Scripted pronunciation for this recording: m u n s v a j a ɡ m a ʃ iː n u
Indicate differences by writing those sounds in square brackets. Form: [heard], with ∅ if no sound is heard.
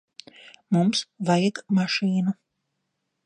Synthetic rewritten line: m u [m] s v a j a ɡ m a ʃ iː n u